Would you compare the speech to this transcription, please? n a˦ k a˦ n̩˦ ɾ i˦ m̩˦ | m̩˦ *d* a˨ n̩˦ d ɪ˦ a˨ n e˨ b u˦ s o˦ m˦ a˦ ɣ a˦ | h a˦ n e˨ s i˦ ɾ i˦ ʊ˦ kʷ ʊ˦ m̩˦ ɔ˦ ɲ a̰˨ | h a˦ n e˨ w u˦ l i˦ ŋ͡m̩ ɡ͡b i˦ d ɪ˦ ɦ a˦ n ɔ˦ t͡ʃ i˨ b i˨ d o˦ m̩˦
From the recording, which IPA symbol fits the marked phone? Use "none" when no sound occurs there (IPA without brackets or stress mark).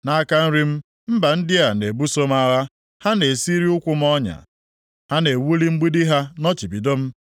b